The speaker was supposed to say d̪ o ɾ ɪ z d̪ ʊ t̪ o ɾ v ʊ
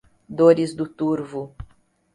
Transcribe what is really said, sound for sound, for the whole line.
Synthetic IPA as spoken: d̪ o ɾ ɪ z d̪ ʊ t̪ u ɾ v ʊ

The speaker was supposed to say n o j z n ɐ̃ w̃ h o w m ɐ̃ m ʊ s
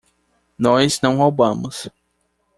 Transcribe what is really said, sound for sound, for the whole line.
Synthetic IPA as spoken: n ɔ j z n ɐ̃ w̃ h o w b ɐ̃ m ʊ s

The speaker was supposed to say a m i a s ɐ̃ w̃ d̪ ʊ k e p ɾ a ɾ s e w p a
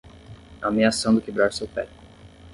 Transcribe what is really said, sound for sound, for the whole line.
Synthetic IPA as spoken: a m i a s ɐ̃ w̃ d̪ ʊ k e b ɾ a ɾ s e w p ɛ

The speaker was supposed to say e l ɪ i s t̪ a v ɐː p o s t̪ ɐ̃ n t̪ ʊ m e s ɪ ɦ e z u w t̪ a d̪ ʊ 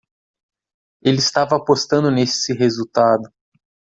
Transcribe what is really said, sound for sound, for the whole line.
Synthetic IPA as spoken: e l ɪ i s t̪ a v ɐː p o s t̪ ɐ̃ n d̪ ʊ n e s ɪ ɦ e z u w t̪ a d̪ ʊ

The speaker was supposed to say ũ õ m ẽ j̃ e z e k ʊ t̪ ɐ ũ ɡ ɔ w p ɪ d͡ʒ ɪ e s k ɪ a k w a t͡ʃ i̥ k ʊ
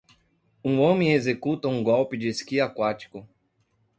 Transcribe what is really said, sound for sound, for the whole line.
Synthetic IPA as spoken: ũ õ m ẽ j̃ e z e k u t̪ ɐ ũ ɡ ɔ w p ɪ d͡ʒ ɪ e s k i a k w a t͡ʃ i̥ k ʊ

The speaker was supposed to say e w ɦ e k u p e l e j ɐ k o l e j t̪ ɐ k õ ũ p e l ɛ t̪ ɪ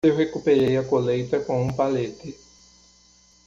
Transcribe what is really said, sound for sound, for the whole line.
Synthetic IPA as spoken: e w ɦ e k u p e ɾ e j ɐ k o l e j t̪ ɐ k õ ũ p a l e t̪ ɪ

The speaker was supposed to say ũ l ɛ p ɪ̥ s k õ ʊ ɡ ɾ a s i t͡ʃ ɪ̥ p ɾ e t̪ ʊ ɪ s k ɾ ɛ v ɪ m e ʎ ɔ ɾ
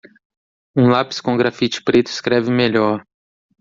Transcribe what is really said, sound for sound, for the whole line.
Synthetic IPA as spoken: ũ l a p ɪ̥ s k õ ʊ ɡ ɾ a f i t͡ʃ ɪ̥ p ɾ e t̪ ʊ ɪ s k ɾ ɛ v ɪ m e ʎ ɔ ɾ

